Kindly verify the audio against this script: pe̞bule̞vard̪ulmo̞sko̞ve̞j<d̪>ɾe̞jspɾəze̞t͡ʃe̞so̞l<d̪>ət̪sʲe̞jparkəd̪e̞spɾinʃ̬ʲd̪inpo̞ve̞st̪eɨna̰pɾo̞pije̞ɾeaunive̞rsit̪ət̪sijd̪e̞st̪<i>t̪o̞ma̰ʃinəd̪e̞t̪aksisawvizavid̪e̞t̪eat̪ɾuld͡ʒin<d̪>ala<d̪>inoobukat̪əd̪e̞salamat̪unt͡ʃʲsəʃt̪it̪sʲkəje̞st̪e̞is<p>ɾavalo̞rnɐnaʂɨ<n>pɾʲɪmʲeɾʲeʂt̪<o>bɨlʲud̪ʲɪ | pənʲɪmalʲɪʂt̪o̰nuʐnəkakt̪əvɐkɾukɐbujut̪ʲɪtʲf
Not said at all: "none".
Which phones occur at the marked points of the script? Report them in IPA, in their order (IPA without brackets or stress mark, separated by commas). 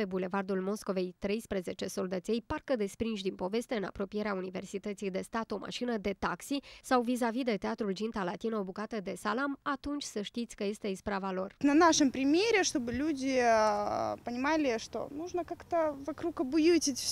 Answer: t̪, d̪, a, t̪, t̪, p, m, o